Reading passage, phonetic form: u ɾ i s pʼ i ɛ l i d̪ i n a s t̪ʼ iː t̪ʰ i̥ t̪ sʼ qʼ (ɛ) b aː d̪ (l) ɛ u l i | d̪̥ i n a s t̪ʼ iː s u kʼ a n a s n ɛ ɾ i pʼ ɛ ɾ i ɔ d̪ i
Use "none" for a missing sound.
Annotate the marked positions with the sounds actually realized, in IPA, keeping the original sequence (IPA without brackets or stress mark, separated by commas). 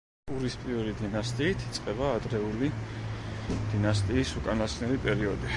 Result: ɛ, ɾ